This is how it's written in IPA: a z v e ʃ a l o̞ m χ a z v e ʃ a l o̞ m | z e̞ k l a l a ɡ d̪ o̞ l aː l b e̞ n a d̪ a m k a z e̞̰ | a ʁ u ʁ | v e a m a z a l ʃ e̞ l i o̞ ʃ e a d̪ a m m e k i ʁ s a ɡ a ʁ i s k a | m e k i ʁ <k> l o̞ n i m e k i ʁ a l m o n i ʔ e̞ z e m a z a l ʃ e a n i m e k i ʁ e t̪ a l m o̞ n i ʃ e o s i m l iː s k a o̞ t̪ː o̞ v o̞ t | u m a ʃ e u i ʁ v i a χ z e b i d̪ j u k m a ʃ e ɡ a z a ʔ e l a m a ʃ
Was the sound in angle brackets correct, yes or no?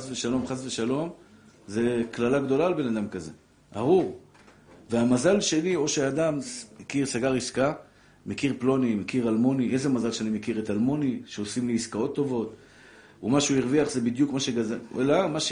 no